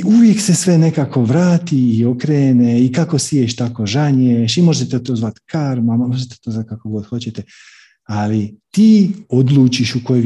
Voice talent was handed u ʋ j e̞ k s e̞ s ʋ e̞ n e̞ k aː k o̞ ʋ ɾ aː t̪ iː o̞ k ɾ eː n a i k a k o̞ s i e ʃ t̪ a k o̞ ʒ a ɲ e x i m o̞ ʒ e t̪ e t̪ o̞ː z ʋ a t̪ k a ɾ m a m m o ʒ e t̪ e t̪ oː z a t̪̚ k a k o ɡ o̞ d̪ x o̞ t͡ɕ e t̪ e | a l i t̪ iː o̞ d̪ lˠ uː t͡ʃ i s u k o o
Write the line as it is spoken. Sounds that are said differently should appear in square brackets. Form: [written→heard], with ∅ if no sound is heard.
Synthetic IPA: u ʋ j e̞ k s e̞ s ʋ e̞ n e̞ k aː k o̞ ʋ ɾ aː t̪ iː o̞ k ɾ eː n [a→e] i k a k o̞ s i e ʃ t̪ a k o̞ ʒ a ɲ e [x→ʃ] i m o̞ ʒ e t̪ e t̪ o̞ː z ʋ a t̪ k a ɾ m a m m o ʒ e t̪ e t̪ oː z a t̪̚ k a k o ɡ o̞ d̪ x o̞ t͡ɕ e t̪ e | a l i t̪ iː o̞ d̪ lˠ uː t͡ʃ i [s→ʃ] u k o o